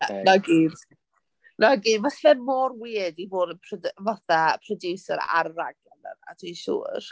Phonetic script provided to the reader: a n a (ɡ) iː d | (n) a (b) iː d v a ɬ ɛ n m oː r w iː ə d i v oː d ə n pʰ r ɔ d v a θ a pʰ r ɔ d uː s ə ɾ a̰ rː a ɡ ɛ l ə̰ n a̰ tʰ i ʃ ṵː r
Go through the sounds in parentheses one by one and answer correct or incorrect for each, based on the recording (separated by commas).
correct, correct, incorrect